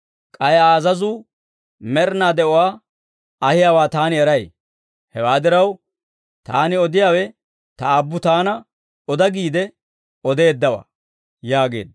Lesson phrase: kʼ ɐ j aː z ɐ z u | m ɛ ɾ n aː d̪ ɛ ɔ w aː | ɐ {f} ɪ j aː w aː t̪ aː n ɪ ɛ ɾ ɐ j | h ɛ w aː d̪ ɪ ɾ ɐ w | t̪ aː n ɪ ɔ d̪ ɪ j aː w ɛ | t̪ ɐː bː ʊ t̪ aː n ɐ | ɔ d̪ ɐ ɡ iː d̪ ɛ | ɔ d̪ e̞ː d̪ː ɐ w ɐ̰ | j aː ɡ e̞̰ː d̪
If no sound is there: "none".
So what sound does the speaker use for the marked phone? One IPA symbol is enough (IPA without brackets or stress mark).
h